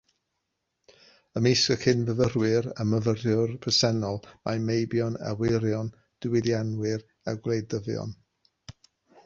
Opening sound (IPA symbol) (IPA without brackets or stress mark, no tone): ə